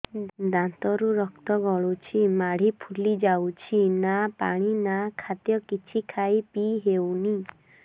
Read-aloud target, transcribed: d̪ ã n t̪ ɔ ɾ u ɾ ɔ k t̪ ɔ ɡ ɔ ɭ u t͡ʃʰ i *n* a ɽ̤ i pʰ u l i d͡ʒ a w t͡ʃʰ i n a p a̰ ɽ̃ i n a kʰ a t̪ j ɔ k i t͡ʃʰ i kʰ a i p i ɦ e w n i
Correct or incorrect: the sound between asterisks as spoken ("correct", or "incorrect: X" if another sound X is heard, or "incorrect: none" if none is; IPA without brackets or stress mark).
incorrect: m